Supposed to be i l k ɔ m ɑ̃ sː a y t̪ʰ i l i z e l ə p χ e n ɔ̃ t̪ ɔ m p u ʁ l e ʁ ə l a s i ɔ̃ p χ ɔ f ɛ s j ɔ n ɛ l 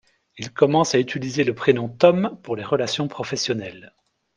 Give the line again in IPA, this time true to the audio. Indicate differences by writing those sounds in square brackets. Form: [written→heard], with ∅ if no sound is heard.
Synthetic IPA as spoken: i l k ɔ m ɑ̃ [sː→s] a y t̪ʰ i l i z e l ə p χ e n ɔ̃ t̪ ɔ m p u ʁ l e ʁ ə l a s [i→j] ɔ̃ p χ ɔ f ɛ s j ɔ n ɛ l